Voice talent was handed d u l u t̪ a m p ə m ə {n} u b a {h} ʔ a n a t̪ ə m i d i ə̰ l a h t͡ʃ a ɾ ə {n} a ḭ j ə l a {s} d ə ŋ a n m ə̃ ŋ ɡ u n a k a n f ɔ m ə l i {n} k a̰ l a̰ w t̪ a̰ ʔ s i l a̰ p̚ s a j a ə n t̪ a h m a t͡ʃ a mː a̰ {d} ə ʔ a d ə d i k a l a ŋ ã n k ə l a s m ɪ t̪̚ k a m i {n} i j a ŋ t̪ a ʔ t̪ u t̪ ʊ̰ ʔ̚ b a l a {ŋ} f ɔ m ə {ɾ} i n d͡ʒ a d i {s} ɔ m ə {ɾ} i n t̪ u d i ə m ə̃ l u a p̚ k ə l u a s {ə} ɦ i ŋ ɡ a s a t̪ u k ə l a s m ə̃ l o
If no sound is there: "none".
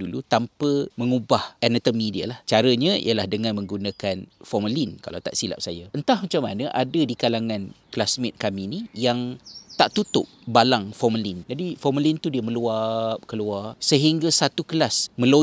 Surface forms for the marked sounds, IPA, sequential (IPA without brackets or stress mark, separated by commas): ŋ, h, ɲ, h, n, n, n, ŋ, l, f, l, ə